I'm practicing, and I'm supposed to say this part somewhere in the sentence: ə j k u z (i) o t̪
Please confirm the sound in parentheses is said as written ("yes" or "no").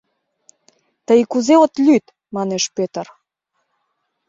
no